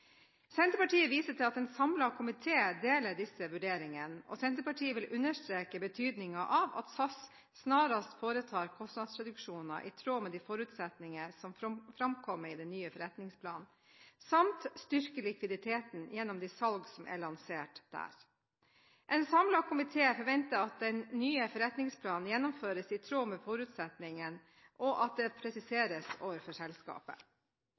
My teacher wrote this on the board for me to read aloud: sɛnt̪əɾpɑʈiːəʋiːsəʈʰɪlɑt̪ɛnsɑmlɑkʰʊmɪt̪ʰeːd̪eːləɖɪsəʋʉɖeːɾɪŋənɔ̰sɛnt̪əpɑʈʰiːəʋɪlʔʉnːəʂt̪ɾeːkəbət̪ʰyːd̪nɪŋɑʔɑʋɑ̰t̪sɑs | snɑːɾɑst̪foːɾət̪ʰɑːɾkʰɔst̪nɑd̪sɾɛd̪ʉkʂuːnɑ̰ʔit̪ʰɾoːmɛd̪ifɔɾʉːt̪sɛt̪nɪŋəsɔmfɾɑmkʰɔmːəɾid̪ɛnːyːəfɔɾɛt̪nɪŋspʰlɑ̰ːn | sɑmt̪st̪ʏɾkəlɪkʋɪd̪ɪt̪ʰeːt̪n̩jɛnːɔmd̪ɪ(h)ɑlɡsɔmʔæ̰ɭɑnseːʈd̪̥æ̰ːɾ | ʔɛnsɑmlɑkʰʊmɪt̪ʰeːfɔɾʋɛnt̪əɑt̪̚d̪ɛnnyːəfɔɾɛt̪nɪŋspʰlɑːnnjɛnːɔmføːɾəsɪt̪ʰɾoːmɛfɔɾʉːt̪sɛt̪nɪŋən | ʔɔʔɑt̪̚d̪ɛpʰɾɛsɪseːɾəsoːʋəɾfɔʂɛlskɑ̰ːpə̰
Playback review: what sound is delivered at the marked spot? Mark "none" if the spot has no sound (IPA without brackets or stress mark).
s